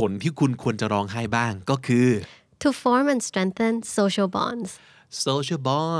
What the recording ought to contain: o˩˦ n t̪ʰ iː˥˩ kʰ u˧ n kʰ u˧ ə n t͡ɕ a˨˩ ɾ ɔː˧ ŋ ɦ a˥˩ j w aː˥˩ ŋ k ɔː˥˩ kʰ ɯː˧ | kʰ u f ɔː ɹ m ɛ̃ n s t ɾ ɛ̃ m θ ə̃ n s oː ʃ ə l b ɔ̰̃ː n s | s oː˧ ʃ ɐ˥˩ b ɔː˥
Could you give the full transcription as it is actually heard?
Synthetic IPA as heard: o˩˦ n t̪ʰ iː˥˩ kʰ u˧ n kʰ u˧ ə n t͡ɕ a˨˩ ɾ ɔː˧ ŋ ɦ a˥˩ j b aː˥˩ ŋ k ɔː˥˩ kʰ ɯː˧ | tʰ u f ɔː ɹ m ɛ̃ n s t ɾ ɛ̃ ŋ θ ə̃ n s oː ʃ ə l b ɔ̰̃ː n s | s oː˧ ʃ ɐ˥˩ b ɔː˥